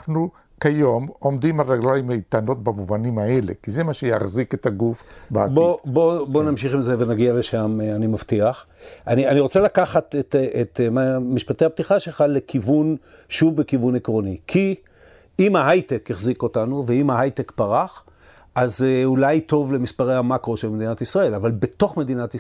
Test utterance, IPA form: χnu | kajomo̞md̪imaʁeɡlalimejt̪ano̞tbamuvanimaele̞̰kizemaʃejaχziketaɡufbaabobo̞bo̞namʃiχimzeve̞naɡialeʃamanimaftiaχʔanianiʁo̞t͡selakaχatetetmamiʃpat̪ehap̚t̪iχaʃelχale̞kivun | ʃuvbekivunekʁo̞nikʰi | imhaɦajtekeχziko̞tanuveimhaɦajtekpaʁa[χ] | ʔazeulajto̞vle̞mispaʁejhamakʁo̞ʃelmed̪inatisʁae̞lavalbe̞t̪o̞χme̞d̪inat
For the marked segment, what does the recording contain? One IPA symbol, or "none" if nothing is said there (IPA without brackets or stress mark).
χ